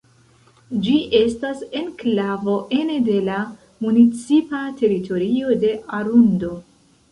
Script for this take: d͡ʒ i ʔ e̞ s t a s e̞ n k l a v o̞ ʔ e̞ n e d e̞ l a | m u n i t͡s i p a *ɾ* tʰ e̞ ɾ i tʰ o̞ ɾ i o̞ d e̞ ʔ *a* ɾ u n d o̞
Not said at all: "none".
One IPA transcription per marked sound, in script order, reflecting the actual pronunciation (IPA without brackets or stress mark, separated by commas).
none, a